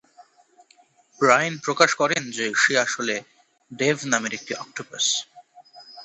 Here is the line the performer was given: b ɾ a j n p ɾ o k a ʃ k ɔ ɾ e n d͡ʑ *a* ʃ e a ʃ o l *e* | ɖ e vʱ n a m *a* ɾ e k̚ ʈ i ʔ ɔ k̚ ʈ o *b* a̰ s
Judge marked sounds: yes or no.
no, yes, no, yes

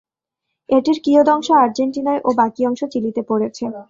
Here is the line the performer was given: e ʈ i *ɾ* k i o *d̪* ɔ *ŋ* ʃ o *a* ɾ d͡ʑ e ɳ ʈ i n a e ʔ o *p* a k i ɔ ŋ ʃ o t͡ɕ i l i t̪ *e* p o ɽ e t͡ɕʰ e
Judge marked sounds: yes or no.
yes, yes, yes, yes, no, yes

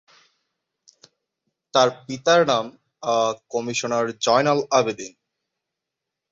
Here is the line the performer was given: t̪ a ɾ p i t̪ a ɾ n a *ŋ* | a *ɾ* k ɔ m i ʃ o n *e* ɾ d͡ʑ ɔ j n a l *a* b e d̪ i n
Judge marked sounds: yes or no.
no, no, no, yes

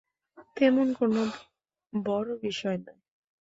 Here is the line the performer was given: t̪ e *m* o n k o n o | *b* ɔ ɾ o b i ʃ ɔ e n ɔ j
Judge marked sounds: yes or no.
yes, yes

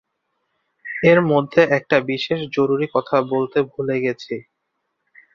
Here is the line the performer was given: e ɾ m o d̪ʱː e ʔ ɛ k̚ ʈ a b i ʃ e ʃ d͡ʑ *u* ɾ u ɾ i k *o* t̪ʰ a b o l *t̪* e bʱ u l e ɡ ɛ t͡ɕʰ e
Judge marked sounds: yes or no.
no, no, yes

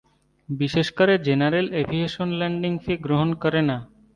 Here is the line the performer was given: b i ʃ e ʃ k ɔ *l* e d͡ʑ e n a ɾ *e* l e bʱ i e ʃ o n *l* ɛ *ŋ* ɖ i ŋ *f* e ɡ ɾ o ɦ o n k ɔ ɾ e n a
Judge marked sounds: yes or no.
no, yes, yes, no, yes

